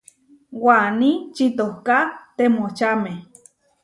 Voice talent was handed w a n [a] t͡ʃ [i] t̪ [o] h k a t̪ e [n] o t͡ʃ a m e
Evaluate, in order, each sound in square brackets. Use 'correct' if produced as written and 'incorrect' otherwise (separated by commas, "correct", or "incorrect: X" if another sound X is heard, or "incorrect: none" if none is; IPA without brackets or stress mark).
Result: incorrect: i, correct, correct, incorrect: m